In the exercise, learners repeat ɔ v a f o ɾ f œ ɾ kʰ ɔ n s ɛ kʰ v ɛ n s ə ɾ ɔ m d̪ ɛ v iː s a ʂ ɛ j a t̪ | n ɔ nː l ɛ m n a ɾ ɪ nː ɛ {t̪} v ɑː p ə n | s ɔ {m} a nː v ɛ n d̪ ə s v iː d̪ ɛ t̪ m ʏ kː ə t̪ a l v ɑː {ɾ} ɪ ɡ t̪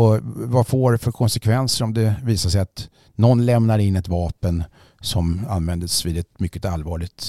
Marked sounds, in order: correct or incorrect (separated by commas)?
correct, correct, incorrect